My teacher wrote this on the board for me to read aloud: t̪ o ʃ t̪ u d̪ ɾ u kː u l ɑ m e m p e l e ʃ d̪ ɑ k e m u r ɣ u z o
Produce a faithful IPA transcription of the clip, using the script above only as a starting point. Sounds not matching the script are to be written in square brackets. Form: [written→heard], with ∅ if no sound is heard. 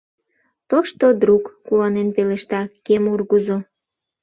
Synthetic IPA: t̪ o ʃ t̪ [u→o] d̪ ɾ u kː u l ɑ [m→n] e [m→n] p e l e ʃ [d̪→t̪] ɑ k e m u r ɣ u z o